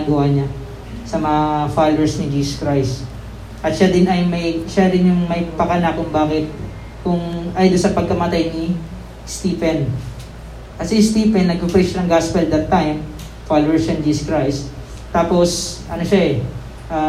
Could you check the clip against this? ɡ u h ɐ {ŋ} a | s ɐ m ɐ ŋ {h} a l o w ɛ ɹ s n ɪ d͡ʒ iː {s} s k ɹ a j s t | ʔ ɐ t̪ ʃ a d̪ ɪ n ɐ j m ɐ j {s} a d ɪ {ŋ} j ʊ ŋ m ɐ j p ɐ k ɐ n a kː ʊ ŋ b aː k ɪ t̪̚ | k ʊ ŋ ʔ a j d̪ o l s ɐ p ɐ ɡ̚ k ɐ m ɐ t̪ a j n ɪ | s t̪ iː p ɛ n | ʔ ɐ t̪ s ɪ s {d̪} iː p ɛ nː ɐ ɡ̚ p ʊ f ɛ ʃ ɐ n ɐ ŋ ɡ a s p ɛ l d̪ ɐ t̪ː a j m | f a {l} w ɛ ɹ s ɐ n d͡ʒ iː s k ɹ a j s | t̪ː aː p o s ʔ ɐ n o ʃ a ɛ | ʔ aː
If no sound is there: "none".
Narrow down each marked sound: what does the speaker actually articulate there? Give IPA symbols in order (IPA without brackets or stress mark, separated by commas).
ɲ, f, s, ʃ, n, t̪, l